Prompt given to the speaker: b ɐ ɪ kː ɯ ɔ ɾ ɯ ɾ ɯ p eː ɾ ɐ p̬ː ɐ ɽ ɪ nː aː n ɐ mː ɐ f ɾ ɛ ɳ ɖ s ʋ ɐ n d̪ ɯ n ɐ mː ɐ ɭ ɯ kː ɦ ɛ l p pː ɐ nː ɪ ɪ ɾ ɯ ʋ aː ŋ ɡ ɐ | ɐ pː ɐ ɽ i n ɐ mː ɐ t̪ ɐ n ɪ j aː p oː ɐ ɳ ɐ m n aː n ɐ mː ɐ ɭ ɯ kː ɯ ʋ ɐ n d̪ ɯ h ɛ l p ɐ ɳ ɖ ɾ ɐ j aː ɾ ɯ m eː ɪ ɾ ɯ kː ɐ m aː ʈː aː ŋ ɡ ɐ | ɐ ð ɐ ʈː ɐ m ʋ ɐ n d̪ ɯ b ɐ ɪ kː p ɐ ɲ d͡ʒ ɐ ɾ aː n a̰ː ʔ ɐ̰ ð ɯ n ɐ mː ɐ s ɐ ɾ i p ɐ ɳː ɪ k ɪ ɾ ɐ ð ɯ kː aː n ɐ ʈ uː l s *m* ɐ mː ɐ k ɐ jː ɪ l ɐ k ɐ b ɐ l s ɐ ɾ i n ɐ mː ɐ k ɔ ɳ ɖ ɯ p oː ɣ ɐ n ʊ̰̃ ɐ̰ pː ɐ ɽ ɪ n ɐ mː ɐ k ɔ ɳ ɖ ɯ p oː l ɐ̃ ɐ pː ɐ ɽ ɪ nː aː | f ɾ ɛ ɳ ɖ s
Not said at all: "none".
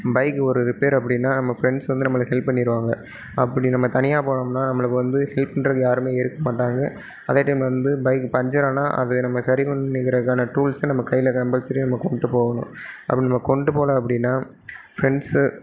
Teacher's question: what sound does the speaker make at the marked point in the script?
n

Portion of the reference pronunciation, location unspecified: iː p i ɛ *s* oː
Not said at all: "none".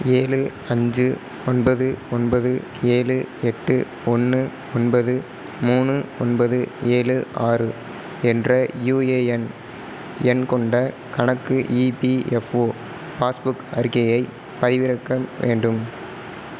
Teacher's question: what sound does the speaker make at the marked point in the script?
f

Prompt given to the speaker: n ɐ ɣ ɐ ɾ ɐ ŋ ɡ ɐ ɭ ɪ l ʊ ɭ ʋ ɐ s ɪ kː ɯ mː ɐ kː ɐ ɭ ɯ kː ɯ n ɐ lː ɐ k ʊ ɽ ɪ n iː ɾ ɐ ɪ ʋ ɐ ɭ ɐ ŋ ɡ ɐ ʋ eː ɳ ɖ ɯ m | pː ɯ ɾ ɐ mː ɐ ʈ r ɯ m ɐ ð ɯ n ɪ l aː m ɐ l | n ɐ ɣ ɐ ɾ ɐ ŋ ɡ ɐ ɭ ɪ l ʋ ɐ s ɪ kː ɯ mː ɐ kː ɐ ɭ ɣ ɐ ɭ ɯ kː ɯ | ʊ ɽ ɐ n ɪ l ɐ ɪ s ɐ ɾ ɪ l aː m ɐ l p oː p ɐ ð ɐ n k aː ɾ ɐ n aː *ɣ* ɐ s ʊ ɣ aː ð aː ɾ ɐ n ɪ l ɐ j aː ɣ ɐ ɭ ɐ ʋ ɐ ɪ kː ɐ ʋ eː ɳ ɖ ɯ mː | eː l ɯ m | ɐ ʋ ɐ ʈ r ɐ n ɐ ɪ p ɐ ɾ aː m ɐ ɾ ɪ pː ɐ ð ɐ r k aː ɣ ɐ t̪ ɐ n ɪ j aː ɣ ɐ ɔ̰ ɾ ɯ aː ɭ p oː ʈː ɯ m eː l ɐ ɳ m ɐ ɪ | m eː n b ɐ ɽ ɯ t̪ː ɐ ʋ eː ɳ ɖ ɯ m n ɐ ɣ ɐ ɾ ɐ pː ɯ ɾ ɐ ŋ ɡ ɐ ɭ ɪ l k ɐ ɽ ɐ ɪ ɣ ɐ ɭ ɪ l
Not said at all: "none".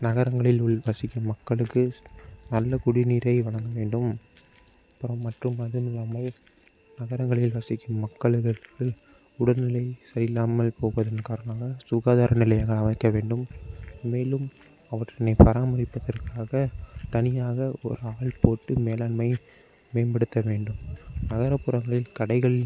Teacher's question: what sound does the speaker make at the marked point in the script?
ɣ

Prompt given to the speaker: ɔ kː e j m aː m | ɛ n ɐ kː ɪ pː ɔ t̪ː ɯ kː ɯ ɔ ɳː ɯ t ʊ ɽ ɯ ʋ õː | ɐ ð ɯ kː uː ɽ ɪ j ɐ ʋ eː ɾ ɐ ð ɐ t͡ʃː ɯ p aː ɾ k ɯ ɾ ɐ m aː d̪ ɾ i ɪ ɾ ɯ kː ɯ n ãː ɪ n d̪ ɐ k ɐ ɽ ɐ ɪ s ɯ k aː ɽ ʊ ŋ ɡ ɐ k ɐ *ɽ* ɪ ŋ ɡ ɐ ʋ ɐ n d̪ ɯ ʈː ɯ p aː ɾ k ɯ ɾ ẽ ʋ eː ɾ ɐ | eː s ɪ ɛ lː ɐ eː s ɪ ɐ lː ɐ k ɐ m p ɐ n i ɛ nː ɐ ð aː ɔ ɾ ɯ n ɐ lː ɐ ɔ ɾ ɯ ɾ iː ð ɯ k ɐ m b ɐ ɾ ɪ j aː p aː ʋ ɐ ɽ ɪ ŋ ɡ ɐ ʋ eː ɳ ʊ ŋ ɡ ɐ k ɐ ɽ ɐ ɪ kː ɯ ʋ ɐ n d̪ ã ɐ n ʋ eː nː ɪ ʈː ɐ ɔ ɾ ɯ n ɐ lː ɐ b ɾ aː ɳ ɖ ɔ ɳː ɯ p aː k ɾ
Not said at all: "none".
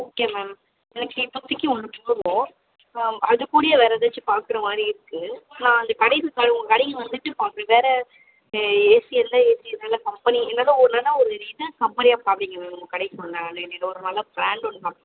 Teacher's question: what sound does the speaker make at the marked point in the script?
ɽ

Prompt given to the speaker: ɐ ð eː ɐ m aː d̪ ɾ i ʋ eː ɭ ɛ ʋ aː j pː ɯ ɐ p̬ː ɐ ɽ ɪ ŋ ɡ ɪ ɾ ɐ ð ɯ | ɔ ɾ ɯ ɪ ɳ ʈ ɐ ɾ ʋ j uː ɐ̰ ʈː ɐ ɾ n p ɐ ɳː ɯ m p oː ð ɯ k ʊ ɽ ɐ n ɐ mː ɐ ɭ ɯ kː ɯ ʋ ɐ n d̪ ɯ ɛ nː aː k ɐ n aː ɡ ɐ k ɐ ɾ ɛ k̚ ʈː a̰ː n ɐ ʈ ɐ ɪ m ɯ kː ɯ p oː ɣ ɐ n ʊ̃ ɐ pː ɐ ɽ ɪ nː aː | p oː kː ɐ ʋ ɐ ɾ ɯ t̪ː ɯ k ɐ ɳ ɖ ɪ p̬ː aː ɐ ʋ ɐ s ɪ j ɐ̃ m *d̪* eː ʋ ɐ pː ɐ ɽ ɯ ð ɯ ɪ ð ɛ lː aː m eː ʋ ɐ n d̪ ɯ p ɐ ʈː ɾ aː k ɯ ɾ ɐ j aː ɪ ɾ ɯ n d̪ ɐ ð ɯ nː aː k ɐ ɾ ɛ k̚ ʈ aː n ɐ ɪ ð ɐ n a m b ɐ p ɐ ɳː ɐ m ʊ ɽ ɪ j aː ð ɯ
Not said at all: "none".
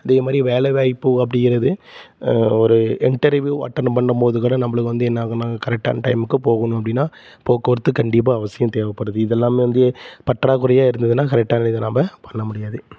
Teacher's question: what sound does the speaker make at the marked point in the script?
t̪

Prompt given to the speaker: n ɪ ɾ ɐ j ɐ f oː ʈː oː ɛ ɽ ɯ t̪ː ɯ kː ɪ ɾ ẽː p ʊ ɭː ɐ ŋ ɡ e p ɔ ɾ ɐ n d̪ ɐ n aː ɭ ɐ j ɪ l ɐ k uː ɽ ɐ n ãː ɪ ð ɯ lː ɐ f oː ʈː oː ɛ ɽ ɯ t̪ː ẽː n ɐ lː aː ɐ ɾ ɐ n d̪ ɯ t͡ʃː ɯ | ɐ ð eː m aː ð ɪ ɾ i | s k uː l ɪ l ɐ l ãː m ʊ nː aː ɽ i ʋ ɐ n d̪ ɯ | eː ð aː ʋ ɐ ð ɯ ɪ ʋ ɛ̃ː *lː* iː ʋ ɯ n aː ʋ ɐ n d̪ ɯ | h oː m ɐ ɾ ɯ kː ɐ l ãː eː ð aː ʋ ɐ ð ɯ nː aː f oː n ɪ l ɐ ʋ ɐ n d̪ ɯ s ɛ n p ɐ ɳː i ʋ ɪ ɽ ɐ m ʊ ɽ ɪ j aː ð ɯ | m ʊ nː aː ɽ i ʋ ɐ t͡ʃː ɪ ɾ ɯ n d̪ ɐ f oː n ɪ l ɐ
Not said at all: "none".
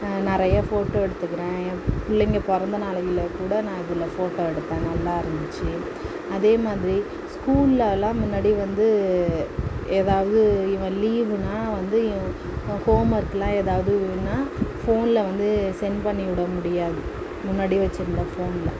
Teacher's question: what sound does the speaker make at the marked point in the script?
l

